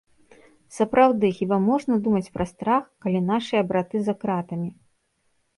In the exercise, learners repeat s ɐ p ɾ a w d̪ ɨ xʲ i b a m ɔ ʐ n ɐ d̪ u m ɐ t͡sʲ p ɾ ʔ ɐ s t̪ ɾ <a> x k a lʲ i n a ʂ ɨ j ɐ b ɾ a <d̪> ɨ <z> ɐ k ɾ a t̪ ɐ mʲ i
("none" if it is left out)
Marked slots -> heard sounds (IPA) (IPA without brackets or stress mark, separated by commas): a, t̪, z